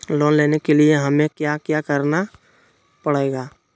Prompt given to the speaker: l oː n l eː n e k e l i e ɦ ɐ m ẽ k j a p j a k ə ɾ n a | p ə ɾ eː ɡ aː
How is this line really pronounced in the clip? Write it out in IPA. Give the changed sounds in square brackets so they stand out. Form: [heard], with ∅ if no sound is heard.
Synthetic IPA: l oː n l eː n e k e l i e ɦ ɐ m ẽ k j a [k] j a k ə ɾ n a | p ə [ɽ] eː ɡ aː